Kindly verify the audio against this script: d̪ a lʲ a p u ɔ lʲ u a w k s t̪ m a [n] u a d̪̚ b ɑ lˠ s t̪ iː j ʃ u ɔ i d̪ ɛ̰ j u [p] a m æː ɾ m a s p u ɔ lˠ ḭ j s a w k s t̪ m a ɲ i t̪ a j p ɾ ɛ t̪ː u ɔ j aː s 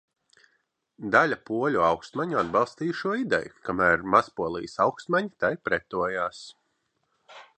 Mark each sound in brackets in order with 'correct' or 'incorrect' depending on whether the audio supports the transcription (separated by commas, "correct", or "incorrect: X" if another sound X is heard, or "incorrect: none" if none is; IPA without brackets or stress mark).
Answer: incorrect: ɲ, incorrect: k